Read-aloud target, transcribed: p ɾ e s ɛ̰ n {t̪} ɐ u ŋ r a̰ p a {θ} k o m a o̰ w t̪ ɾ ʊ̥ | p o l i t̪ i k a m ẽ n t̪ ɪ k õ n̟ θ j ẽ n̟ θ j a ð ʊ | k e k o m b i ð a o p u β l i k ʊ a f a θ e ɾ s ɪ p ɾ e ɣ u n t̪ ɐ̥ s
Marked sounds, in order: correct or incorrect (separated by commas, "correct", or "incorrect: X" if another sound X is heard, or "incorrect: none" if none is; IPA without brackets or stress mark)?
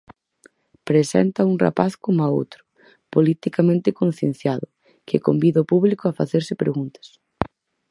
correct, correct